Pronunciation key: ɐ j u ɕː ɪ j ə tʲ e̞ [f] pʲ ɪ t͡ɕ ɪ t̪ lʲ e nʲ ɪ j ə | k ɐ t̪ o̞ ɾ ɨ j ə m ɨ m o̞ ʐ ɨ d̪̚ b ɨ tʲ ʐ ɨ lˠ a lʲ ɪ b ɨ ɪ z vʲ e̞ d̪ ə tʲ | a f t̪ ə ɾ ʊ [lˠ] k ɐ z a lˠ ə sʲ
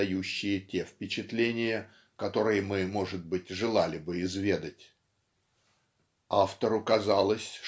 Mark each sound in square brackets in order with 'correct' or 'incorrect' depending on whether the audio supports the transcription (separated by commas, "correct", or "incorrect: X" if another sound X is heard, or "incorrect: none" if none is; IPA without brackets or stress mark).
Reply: correct, incorrect: none